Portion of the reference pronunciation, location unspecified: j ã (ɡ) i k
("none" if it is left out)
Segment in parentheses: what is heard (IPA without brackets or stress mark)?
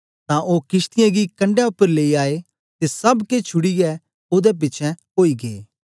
ɡ